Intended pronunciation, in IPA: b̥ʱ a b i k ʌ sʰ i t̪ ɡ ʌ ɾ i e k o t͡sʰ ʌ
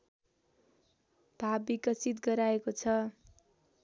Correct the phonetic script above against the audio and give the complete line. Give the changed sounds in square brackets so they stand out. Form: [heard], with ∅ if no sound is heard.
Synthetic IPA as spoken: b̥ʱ a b i k ʌ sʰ i t̪ ɡ ʌ ɾ [a] e k o t͡sʰ ʌ